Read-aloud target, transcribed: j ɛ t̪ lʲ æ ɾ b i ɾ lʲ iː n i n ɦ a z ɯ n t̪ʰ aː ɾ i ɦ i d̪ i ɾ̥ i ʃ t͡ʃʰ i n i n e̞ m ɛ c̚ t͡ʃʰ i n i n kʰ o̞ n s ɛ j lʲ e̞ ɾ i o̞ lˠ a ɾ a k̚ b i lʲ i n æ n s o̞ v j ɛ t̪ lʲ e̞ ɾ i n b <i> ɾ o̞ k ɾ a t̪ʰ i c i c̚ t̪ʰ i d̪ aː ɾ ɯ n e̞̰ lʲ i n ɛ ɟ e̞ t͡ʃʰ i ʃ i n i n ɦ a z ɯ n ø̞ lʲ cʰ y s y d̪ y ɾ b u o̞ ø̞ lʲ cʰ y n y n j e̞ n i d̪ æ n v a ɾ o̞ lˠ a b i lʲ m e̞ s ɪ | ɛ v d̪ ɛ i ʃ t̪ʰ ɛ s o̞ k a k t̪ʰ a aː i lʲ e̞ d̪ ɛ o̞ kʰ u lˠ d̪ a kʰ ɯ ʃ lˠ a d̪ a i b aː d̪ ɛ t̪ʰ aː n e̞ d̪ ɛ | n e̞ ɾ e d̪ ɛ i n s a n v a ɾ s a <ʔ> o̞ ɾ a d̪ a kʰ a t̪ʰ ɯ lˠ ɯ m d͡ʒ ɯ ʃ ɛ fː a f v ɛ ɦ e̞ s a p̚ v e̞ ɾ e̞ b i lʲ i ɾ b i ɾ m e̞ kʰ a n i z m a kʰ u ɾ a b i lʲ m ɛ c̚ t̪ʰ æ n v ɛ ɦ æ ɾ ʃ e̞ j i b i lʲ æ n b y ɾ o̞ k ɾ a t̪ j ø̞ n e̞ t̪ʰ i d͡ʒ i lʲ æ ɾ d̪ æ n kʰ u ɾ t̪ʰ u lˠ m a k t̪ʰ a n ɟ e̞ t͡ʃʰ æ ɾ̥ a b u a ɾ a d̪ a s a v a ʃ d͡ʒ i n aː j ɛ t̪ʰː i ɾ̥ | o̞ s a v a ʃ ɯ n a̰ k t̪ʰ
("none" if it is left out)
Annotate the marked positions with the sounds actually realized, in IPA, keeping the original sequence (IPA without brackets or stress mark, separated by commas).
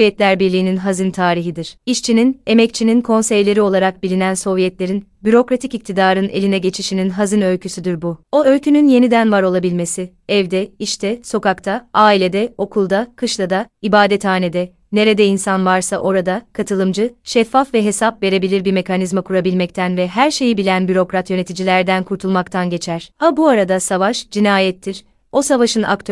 y, ʔ